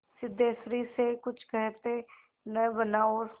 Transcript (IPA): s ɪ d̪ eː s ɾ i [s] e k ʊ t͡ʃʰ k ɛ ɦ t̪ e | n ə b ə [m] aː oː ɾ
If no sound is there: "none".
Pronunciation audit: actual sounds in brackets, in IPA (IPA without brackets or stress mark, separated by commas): s, n